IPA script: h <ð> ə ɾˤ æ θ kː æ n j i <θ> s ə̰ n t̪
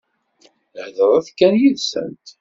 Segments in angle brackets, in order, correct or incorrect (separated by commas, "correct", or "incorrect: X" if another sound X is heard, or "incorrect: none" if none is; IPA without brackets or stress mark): correct, incorrect: ð